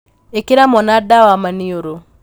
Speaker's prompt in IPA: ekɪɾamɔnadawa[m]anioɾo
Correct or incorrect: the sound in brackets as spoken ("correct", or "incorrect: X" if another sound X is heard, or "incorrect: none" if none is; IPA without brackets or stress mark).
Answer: correct